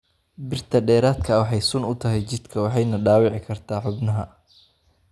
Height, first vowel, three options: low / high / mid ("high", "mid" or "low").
high